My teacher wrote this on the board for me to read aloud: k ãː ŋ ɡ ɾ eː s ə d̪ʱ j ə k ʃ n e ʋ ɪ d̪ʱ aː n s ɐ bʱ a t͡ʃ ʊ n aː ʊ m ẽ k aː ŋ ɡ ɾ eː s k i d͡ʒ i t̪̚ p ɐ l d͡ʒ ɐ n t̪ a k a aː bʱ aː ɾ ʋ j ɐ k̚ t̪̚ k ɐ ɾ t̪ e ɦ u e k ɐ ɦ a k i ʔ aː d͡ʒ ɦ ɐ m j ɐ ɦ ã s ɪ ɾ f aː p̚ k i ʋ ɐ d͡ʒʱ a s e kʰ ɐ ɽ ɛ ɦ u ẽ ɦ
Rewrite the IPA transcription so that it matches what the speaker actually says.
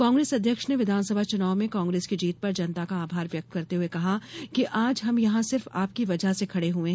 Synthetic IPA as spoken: k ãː ŋ ɡ ɾ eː s ɐ d̪ʱ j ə k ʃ n e ʋ ɪ d̪ʱ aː n s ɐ bʱ a t͡ʃ ʊ n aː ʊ m ẽ k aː ŋ ɡ ɾ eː s k i d͡ʒ iː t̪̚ p ɐ ɾ d͡ʒ ɐ n t̪ a k a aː bʱ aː ɾ ʋ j ɐ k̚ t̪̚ k ɐ ɾ t̪ e ɦ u e k ɐ ɦ a k i ʔ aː d͡ʒ ɦ ɐ m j ɐ ɦ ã s ɪ ɾ f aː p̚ k i ʋ ɐ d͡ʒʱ a s e kʰ ɐ ɽ e ɦ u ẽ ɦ